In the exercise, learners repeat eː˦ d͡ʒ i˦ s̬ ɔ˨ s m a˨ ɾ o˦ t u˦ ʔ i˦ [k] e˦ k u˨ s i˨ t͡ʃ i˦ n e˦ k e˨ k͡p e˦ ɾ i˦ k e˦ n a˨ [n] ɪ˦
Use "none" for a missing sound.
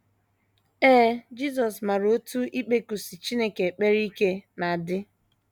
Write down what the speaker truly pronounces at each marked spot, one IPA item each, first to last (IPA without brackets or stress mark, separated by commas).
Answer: k͡p, d